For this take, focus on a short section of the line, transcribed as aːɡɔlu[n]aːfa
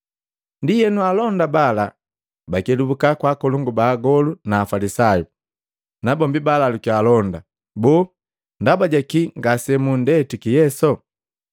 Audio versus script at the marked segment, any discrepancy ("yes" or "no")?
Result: no